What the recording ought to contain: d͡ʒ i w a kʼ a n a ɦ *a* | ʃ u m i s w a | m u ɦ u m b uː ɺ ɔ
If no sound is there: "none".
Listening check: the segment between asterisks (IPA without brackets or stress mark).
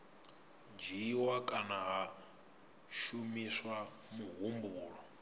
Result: a